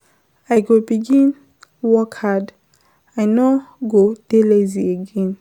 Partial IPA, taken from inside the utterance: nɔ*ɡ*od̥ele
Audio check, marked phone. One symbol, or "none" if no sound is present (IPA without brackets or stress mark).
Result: ɡ